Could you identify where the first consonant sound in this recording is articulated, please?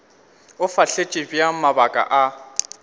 labial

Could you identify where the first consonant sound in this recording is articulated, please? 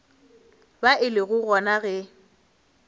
labial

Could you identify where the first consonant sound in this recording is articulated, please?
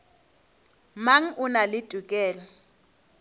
labial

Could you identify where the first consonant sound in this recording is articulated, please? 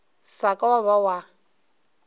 alveolar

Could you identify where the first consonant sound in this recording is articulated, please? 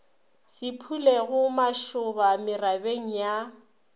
alveolar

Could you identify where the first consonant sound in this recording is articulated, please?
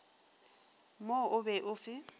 labial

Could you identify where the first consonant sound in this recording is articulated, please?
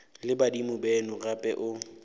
alveolar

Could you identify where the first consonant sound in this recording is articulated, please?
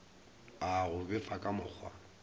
velar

